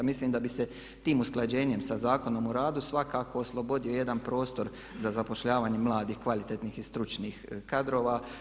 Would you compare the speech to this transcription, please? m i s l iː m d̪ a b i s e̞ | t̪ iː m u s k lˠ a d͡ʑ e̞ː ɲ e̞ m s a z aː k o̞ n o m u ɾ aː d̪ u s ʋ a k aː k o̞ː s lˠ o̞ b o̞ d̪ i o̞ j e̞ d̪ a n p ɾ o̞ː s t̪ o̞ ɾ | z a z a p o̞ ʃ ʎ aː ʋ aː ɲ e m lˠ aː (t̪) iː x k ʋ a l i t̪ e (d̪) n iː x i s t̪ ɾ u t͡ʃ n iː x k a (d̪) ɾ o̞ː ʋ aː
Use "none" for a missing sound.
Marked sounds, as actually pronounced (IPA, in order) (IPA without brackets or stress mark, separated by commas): d̪, t̪, d̪